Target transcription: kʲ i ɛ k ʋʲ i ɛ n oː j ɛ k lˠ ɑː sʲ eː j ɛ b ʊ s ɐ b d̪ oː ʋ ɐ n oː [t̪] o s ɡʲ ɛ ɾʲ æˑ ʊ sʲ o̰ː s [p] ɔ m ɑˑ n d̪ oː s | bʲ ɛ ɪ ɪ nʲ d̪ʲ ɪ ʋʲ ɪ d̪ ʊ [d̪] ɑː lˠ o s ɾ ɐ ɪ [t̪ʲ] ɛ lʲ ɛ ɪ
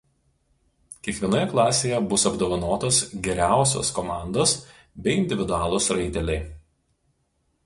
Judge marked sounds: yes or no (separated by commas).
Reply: yes, no, no, yes